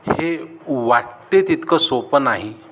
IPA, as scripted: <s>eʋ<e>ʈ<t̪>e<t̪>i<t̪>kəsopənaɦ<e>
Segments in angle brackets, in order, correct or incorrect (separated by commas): incorrect, incorrect, correct, correct, correct, incorrect